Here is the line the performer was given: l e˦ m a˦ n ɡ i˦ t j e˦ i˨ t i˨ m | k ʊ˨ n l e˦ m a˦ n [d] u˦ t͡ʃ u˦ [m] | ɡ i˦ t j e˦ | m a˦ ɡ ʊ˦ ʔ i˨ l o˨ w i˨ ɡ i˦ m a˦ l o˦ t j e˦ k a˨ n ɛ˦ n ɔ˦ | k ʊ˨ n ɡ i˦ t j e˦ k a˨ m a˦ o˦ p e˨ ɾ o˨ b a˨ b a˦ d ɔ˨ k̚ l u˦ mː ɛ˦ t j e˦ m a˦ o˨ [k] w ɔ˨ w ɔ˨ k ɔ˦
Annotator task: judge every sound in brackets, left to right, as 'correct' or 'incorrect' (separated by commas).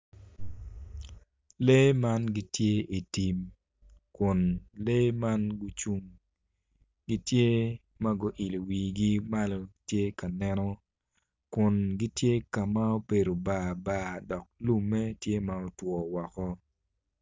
incorrect, incorrect, incorrect